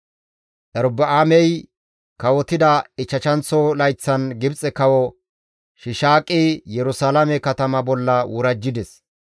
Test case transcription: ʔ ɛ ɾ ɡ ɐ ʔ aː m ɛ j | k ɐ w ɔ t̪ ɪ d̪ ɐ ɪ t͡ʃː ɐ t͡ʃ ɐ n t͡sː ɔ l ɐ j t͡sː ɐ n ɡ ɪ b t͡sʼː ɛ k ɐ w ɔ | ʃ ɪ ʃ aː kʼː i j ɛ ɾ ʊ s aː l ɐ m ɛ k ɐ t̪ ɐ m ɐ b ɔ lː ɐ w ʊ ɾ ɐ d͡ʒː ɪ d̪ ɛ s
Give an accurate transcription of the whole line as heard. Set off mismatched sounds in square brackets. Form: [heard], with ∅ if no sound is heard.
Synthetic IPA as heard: ʔ ɛ ɾ [b] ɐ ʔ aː m ɛ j | k ɐ w ɔ t̪ ɪ d̪ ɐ ɪ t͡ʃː ɐ t͡ʃ ɐ n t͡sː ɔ l ɐ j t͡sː ɐ n ɡ ɪ b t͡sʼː ɛ k ɐ w ɔ | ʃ ɪ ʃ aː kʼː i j ɛ ɾ ʊ s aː l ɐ m ɛ k ɐ t̪ ɐ m ɐ b ɔ lː ɐ w ʊ ɾ ɐ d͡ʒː ɪ d̪ ɛ s